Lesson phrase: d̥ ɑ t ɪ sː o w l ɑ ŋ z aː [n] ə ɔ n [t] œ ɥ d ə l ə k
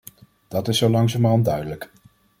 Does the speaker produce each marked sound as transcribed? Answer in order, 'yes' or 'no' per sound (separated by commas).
no, no